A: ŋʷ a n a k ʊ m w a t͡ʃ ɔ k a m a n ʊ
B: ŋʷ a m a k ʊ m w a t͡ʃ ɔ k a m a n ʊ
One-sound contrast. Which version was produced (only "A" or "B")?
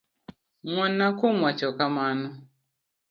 A